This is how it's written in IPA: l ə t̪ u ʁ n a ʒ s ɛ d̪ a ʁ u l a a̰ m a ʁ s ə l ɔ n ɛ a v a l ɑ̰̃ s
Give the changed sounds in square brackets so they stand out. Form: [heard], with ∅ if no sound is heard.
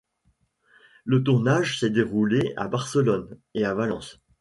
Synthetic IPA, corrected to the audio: l ə t̪ u ʁ n a ʒ s ɛ d̪ [e] ʁ u l [e] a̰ [b] a ʁ s ə l ɔ n [e] a v a l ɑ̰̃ s